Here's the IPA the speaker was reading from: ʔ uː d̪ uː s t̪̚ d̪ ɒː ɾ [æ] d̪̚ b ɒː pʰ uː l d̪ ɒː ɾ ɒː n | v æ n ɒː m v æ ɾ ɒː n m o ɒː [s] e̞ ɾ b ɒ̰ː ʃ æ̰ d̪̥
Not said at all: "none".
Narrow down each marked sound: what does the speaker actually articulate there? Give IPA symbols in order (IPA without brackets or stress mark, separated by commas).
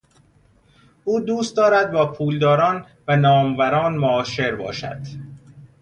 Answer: æ, ʃ